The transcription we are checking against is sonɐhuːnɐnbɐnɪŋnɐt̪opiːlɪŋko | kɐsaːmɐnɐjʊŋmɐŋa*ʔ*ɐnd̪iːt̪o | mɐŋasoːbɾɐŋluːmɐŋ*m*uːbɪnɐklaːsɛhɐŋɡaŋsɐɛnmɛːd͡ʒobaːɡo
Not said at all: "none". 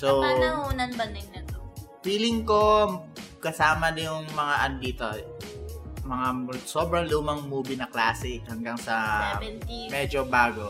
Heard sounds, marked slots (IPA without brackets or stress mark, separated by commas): ʔ, m